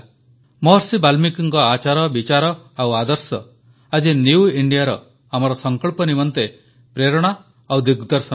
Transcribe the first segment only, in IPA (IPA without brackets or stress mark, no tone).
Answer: m